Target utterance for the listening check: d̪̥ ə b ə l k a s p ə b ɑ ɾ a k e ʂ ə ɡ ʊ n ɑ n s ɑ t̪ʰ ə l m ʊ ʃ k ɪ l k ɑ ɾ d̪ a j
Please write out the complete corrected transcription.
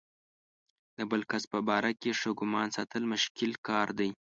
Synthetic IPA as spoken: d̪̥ ə b ə l k a s p ə b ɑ ɾ a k e ʂ ə ɡ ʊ m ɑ n s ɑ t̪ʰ ə l m ʊ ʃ k ɪ l k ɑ ɾ d̪ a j